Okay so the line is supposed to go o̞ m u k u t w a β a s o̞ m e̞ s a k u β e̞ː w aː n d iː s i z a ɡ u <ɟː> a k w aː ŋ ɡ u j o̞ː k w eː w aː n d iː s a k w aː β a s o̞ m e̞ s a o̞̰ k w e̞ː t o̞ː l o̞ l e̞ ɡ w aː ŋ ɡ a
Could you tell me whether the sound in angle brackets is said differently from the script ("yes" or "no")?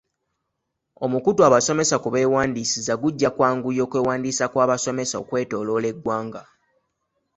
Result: no